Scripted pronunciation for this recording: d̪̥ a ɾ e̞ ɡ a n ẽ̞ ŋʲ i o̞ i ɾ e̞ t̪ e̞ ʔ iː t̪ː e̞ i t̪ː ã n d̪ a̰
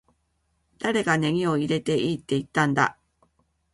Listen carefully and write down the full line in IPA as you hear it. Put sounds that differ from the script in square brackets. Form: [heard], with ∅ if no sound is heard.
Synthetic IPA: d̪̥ a ɾ e̞ ɡ a n [e̞] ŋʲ i o̞ i ɾ e̞ t̪ e̞ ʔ iː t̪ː e̞ i t̪ː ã n d̪ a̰